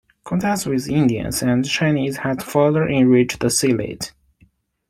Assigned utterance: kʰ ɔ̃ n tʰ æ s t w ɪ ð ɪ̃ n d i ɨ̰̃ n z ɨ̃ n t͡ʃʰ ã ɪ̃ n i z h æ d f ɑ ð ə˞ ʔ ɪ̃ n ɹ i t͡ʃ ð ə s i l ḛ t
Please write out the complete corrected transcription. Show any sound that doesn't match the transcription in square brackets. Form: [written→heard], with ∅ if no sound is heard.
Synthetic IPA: kʰ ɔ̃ n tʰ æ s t w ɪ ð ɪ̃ n d i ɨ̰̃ n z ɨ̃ n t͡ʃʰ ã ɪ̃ n i z h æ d f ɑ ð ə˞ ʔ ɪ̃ n ɹ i t͡ʃ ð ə s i l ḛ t